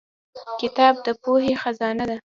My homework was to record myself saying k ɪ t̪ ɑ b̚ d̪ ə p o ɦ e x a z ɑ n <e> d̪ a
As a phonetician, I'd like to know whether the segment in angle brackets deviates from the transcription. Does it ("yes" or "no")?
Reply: yes